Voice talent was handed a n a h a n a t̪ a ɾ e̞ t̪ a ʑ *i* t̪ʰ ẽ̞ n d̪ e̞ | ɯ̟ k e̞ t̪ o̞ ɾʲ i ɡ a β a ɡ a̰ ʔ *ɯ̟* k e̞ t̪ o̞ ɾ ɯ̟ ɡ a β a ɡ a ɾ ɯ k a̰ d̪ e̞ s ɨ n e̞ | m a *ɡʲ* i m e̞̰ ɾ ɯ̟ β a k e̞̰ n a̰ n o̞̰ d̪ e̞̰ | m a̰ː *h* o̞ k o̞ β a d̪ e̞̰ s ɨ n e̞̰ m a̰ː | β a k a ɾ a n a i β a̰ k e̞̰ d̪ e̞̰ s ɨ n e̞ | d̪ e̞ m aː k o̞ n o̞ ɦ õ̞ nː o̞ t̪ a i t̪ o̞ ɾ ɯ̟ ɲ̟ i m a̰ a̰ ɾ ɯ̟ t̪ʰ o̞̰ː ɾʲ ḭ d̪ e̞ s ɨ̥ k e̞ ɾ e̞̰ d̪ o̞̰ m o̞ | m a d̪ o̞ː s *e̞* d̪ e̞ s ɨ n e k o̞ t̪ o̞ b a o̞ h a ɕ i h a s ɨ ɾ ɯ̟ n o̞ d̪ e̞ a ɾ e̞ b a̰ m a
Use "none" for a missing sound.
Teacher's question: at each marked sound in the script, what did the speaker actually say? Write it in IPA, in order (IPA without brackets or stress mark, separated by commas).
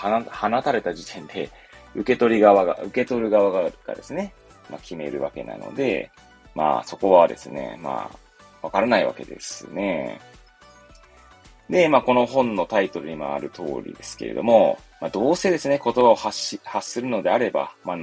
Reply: i, ɯ̟, kʲ, s, e̞